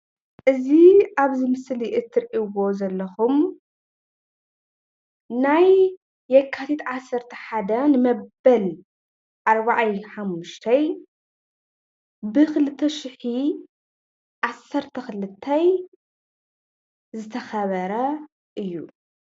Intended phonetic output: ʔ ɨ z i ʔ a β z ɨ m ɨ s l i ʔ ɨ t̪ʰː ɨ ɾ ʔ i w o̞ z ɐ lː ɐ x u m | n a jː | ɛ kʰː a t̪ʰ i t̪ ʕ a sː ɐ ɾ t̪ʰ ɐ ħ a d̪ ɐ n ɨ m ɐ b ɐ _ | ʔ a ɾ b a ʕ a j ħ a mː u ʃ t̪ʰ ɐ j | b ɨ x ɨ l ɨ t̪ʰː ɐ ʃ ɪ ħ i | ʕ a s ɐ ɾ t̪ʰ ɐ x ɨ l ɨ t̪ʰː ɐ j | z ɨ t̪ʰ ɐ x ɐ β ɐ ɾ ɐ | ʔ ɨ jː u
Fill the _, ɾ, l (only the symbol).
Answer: l